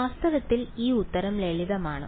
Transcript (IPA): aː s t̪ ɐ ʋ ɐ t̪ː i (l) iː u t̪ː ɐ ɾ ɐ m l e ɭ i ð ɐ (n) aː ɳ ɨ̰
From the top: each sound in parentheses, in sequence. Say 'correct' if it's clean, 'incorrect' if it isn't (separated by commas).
correct, incorrect